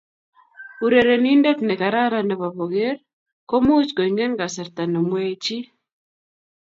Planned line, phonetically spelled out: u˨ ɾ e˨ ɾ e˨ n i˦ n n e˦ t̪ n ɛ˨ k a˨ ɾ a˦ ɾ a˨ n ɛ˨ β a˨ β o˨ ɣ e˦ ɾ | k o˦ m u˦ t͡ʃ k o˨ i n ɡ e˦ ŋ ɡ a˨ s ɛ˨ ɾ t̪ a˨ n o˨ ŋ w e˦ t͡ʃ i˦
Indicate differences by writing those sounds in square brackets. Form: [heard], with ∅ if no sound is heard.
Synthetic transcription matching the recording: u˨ ɾ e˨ ɾ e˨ n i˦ n [d] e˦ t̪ n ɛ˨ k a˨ ɾ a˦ ɾ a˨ n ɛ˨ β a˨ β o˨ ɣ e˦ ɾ | k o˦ m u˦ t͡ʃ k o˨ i [ŋ] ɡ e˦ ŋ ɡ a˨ s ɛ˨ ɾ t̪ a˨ n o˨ [m] w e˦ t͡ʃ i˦